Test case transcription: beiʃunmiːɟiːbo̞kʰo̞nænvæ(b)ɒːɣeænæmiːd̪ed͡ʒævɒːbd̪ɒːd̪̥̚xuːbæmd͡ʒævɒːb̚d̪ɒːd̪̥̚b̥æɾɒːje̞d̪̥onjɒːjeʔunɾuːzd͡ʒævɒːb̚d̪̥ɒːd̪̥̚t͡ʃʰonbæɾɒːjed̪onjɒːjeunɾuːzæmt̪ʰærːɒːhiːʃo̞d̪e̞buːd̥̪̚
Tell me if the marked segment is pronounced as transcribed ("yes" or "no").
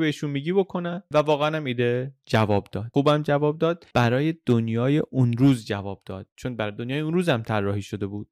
no